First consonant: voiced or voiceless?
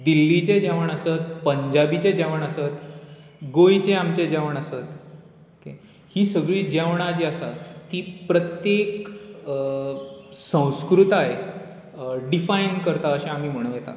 voiced